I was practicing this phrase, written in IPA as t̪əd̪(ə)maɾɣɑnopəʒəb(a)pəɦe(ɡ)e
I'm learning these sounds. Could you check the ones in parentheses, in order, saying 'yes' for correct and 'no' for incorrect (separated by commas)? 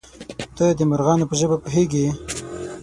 yes, yes, yes